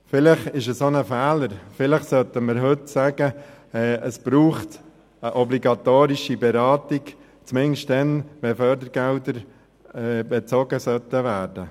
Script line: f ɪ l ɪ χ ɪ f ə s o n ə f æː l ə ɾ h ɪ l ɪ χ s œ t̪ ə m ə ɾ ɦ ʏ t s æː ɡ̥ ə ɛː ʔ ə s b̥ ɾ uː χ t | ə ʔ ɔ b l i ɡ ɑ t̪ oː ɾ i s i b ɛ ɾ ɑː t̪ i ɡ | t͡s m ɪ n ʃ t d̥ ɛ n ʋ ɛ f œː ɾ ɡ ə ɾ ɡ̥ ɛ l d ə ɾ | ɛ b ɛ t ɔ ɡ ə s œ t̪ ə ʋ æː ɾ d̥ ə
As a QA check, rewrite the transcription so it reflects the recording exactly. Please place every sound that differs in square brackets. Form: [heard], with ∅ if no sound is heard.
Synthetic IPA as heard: f ɪ l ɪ χ ɪ [ʃ] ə s o n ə f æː l ə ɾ [f] ɪ l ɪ χ s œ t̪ ə m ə ɾ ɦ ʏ t s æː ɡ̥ ə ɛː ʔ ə s b̥ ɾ uː χ t | ə ʔ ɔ b l i ɡ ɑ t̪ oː ɾ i [ʃ] i b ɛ ɾ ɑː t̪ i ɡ | t͡s m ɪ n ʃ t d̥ ɛ n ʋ ɛ f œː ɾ [d] ə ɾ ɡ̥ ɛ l d ə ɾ | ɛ b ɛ [t͡s] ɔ ɡ ə s œ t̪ ə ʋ æː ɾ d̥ ə